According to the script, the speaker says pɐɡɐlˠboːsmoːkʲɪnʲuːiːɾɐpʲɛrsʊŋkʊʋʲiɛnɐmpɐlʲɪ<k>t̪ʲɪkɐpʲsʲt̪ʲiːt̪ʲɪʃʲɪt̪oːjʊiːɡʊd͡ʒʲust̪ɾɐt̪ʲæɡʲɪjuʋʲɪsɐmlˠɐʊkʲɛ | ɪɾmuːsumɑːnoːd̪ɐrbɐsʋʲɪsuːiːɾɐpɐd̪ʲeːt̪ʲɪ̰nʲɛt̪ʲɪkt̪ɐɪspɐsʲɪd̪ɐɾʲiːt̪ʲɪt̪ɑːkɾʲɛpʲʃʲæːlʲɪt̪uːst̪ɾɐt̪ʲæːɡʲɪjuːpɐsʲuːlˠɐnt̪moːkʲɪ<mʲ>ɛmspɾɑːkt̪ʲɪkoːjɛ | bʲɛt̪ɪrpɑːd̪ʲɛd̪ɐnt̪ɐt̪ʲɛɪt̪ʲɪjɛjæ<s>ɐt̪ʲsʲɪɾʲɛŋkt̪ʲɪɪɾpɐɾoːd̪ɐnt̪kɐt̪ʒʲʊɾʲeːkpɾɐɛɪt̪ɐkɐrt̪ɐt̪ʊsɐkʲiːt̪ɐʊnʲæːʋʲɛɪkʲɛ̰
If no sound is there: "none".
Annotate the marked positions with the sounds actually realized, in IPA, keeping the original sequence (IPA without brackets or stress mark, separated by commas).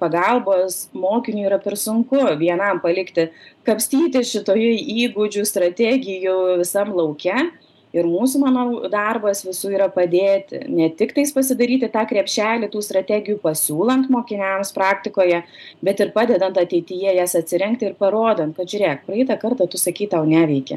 k, nʲ, s